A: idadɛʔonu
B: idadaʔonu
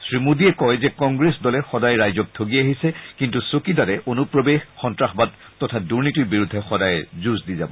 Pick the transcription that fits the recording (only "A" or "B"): A